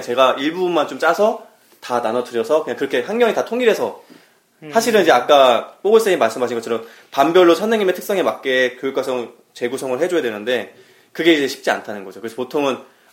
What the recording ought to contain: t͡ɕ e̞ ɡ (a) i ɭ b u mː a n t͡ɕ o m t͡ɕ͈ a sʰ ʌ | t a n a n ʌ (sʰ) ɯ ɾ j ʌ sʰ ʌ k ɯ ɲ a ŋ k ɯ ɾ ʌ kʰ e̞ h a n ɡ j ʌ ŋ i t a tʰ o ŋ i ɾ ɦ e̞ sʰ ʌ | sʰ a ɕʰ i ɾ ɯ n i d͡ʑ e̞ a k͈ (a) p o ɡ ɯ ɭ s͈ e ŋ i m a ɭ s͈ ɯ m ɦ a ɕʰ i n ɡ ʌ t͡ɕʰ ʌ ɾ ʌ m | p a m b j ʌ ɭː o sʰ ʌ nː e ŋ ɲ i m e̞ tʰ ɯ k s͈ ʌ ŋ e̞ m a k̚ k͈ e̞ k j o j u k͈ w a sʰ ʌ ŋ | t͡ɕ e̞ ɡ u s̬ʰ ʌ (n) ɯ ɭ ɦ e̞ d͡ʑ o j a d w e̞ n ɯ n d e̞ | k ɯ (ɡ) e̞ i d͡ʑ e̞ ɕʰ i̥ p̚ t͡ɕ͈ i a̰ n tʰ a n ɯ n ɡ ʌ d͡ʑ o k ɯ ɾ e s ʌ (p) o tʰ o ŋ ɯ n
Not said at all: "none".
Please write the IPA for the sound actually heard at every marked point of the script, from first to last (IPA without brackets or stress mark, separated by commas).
a, tʰ, a, ŋ, ɡ, p